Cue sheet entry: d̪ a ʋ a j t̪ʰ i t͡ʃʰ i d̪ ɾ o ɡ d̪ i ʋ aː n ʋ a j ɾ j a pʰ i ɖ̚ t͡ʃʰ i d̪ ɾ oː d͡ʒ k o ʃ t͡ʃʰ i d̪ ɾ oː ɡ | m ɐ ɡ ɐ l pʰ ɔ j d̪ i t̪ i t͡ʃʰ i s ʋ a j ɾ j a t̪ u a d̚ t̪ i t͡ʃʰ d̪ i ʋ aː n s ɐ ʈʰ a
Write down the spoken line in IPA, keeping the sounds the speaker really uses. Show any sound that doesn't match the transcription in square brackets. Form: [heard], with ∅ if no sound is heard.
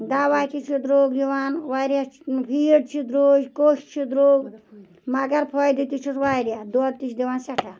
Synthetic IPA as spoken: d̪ a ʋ a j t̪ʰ i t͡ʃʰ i d̪ ɾ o ɡ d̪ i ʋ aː n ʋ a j ɾ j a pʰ i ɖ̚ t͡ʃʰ i d̪ ɾ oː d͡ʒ k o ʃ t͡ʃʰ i d̪ ɾ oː ɡ | m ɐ ɡ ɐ [ɾ] pʰ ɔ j d̪ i t̪ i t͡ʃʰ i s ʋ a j ɾ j a [d̪] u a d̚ t̪ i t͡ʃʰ d̪ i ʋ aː n s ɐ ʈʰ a